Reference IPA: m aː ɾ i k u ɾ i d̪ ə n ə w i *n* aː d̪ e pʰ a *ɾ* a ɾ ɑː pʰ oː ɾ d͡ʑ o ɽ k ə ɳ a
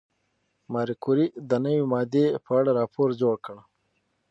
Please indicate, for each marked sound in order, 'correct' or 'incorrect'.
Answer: incorrect: m, incorrect: ɽ

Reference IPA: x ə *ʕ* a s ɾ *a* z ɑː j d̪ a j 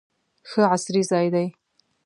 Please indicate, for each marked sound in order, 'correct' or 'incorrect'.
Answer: correct, incorrect: i

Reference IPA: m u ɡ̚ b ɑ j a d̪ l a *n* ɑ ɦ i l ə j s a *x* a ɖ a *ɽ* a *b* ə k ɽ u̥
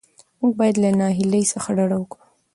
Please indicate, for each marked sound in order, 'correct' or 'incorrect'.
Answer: correct, correct, correct, incorrect: w

